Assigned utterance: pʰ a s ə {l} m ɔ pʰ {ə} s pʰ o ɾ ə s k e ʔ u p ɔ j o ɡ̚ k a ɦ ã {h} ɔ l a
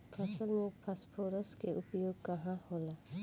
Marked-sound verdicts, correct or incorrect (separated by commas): correct, incorrect, correct